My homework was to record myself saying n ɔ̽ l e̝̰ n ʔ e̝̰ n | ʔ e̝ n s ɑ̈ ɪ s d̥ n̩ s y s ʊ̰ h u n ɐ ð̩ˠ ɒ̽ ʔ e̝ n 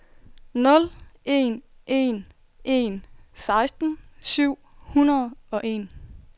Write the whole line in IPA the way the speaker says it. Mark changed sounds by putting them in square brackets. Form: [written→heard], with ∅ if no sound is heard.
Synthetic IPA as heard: n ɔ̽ l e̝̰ n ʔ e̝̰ n | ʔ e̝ n s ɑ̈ ɪ s d̥ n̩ s y [s→∅] ʊ̰ h u n ɐ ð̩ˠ ɒ̽ ʔ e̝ n